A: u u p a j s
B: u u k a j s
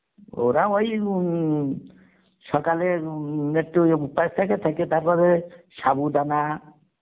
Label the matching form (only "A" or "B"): A